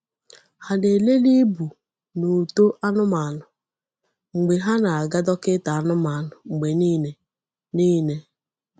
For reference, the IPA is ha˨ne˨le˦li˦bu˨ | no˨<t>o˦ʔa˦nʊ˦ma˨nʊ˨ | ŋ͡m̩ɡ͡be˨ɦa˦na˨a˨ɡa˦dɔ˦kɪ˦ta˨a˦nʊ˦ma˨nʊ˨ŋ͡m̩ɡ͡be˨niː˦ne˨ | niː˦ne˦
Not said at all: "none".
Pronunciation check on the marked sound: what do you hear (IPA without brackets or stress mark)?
t